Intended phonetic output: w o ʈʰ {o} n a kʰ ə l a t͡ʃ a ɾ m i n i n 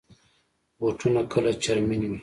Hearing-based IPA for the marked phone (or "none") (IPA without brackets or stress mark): u